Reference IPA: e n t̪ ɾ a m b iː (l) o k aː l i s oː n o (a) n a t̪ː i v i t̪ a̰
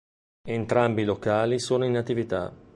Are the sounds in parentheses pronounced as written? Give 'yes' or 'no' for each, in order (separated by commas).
yes, no